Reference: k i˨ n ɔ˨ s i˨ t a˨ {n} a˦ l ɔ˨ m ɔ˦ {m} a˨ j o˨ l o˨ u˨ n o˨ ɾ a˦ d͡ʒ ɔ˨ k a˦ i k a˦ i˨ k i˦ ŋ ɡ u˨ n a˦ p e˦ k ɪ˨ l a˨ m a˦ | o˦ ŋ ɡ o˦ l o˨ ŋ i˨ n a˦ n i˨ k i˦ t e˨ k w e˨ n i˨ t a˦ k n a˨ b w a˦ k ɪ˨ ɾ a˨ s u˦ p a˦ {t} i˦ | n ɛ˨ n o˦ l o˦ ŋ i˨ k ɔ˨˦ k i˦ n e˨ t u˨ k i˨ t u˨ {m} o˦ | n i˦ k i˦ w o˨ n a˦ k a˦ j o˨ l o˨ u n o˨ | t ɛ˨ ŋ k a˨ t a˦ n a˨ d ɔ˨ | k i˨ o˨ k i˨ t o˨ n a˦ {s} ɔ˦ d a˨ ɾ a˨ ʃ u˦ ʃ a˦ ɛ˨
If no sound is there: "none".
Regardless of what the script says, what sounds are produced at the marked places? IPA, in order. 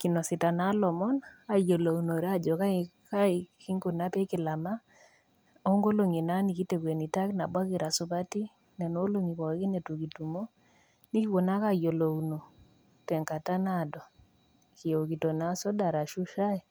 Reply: n, n, t, m, s

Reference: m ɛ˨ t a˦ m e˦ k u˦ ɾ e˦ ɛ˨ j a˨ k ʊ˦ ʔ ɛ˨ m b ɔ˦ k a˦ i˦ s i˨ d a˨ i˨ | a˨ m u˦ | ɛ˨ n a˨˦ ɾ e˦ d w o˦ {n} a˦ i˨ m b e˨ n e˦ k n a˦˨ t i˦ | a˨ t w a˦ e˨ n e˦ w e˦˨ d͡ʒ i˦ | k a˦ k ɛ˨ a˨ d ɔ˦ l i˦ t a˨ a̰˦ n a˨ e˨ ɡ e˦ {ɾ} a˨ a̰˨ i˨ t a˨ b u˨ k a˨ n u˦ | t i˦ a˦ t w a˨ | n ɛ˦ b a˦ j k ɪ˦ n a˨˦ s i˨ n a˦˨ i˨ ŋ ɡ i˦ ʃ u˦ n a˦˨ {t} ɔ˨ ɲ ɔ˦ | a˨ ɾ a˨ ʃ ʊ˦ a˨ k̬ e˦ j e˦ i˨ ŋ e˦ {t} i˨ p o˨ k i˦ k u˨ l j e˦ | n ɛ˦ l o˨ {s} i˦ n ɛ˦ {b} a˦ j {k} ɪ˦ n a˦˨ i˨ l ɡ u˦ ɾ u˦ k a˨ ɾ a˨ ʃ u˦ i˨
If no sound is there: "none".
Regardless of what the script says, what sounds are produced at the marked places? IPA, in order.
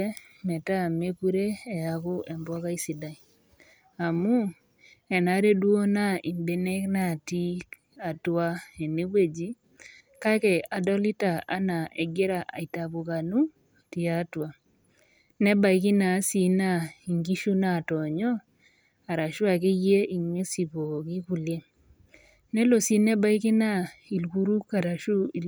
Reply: n, ɾ, t, s, s, b, k

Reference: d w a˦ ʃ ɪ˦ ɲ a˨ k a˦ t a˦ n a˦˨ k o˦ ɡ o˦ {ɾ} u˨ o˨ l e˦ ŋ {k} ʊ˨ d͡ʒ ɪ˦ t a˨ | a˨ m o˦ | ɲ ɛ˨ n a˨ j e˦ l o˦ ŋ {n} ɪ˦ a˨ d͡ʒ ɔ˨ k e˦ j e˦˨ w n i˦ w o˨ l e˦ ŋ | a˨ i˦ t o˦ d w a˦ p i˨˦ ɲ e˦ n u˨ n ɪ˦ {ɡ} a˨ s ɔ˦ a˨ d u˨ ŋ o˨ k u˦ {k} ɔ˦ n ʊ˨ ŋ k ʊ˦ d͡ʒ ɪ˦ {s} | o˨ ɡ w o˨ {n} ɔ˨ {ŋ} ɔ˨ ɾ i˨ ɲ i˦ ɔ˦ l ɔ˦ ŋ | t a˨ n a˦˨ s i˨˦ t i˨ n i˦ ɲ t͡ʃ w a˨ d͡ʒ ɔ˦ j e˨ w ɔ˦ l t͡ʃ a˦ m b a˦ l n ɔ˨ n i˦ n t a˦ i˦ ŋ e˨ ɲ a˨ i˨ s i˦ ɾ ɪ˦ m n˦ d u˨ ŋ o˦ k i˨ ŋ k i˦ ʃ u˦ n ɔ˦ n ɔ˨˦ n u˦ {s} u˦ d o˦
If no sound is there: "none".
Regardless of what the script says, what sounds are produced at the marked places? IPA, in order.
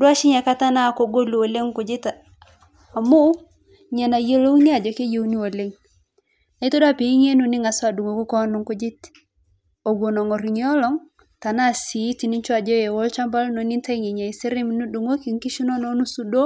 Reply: l, k, n, ŋ, k, t, n, ŋ, s

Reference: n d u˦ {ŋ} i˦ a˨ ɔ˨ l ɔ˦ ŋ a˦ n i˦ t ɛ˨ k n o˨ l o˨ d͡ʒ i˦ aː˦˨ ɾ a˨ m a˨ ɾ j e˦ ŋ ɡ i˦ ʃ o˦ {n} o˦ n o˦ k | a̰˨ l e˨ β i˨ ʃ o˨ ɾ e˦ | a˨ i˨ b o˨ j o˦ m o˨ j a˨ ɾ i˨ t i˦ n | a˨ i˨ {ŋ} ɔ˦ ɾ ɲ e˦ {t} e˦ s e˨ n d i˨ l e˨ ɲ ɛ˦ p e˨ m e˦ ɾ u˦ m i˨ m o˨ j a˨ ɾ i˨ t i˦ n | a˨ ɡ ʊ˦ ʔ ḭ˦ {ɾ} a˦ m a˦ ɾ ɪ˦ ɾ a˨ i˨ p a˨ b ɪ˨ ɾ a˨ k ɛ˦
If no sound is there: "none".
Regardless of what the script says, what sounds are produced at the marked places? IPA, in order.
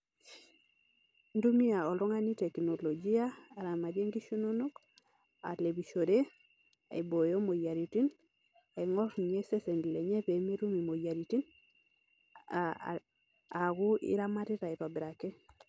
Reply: m, n, ŋ, s, ɾ

